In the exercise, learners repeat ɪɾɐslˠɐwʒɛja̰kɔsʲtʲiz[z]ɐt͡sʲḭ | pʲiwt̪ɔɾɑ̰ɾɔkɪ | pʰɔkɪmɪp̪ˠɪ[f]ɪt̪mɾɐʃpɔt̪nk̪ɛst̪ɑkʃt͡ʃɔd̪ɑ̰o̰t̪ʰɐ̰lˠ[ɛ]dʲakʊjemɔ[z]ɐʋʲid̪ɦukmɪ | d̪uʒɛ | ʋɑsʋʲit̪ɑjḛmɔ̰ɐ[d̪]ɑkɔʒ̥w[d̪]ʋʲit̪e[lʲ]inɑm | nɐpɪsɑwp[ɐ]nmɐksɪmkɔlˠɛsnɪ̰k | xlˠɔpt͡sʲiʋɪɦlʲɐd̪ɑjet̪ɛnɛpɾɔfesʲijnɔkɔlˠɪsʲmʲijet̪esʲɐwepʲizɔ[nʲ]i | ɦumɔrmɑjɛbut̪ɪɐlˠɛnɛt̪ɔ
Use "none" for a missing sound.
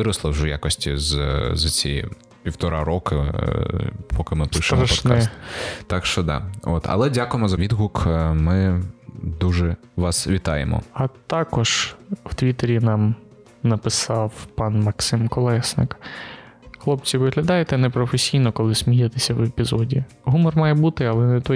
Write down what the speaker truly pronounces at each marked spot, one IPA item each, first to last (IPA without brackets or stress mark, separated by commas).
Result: z, ʃ, ɛ, z, t̪, t̪, ɾʲ, ɑ, dʲ